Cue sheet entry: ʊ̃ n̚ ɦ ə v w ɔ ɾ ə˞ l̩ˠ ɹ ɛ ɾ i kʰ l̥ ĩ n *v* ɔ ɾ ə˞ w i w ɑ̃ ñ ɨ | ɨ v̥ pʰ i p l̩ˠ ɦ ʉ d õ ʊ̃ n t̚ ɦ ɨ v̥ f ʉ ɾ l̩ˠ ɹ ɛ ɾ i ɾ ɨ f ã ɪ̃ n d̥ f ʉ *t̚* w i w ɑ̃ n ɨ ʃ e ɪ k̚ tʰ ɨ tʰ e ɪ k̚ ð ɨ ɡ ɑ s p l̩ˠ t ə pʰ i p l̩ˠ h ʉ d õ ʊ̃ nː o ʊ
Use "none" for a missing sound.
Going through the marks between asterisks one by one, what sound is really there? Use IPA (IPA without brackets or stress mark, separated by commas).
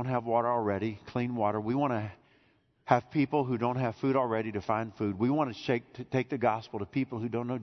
w, d̚